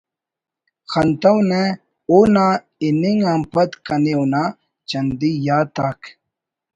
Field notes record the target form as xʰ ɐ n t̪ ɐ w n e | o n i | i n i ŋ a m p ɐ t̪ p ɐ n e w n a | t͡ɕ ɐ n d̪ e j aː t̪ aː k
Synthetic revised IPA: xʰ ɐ n t̪ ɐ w n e | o n a | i n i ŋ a m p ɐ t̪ k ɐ n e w n a | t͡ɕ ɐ n d̪ i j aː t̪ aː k

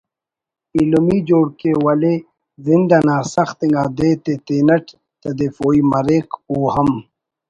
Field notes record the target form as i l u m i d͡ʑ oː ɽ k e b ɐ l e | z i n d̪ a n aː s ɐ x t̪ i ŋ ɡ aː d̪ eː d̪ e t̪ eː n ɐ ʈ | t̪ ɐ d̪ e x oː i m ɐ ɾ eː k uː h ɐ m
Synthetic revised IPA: i l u m i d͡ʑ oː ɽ k e w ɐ l e | z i n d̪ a n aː s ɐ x t̪ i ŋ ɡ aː d̪ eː t̪ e t̪ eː n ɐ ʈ | t̪ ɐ d̪ e f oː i m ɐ ɾ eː k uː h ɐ m

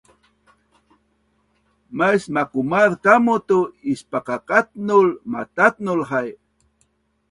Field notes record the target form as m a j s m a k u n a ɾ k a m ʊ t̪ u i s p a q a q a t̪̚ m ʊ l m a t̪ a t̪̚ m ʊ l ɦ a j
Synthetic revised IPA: m a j s m a k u m a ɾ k a m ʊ t̪ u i s p a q a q a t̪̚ n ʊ l m a t̪ a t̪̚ n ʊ l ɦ a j

